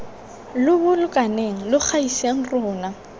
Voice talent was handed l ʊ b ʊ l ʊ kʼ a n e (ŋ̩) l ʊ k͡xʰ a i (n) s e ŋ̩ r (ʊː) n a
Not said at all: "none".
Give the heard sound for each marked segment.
ŋ̩, none, ʊː

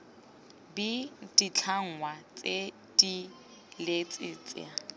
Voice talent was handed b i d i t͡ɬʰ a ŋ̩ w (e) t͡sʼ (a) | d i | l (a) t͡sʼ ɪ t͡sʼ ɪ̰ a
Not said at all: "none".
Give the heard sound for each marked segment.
a, e, e

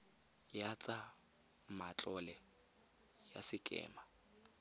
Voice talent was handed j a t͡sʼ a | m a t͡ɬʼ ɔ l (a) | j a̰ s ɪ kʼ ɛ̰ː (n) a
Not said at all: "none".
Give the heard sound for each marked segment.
ɛ, m

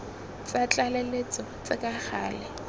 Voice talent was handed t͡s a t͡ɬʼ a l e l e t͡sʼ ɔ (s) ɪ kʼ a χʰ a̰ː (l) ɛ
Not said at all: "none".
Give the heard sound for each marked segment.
t͡s, l

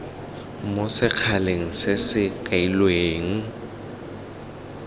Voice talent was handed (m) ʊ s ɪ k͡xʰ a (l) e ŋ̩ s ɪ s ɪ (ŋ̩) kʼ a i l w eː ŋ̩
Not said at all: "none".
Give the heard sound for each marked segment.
m, l, none

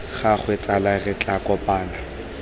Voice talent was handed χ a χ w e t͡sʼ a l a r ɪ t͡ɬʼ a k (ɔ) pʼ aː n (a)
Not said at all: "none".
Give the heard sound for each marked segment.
ɔ, a

